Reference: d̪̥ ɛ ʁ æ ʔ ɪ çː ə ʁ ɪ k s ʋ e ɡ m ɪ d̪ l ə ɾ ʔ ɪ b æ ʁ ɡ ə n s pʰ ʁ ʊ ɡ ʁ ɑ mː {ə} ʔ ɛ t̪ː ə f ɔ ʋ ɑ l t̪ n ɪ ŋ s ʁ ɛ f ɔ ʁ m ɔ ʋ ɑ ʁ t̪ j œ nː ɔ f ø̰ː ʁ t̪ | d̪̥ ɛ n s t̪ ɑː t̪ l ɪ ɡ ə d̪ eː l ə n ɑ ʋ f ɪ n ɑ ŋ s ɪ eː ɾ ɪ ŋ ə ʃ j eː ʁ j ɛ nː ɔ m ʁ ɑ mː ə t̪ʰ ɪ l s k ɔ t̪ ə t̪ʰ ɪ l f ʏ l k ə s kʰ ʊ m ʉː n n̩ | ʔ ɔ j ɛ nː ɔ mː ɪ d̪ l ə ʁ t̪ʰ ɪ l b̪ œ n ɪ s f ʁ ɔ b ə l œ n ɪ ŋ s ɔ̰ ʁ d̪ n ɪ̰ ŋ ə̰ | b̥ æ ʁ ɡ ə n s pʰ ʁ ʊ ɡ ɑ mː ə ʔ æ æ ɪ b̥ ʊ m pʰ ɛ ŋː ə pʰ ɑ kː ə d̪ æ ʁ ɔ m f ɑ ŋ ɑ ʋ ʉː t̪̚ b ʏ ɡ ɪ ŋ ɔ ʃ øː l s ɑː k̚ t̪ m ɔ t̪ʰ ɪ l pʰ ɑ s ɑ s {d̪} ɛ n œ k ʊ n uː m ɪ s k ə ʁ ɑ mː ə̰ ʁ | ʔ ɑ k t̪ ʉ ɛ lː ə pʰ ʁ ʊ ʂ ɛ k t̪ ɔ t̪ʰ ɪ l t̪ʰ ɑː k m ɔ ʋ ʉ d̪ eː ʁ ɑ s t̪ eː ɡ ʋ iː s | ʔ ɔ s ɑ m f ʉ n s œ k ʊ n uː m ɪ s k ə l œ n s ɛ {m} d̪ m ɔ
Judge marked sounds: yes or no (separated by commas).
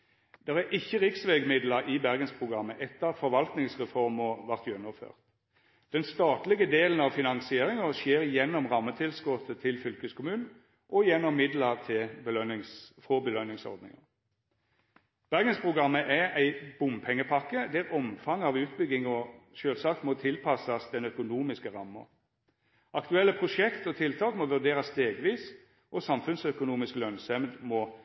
yes, yes, yes